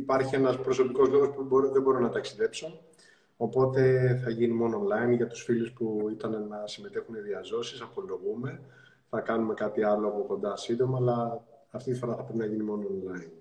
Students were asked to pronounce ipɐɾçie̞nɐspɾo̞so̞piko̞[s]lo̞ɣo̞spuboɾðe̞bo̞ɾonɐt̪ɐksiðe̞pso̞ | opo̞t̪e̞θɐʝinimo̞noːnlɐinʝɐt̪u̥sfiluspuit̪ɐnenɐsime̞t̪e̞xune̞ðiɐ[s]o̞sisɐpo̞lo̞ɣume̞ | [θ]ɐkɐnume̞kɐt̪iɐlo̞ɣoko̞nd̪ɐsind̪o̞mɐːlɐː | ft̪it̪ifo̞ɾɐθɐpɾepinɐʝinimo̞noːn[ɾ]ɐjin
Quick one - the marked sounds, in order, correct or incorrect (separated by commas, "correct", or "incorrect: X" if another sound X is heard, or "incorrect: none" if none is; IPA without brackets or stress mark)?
incorrect: z, incorrect: z, correct, incorrect: l